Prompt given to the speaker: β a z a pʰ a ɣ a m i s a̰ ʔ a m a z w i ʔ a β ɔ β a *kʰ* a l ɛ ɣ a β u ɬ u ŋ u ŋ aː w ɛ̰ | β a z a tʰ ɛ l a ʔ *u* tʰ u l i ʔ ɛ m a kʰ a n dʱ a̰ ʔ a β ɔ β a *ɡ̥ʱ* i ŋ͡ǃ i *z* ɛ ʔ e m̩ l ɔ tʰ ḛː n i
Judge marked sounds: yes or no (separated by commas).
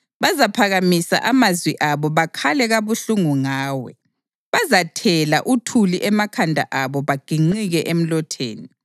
yes, yes, yes, no